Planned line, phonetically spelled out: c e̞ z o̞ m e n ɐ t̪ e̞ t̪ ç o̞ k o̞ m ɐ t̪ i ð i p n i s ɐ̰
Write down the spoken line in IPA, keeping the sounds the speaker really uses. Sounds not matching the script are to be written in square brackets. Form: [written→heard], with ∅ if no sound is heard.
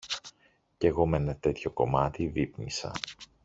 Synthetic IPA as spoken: c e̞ [z→ɣ] o̞ m e n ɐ t̪ e̞ t̪ ç o̞ k o̞ m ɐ t̪ i [ð→v] i p n i s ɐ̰